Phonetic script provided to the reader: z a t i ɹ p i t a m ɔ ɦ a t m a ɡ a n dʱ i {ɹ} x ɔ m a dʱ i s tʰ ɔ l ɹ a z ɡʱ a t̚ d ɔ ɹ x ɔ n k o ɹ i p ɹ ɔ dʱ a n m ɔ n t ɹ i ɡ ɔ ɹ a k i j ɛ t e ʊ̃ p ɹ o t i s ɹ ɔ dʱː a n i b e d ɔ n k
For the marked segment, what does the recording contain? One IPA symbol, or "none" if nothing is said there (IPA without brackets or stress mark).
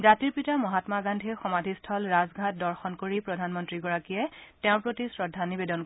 none